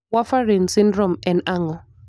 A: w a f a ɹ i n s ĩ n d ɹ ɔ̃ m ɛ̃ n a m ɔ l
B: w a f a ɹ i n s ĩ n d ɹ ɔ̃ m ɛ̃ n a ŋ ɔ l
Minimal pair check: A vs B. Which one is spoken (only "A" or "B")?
B